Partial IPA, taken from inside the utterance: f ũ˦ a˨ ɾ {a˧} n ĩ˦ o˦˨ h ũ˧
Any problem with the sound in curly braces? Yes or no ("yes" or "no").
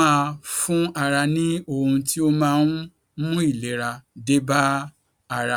no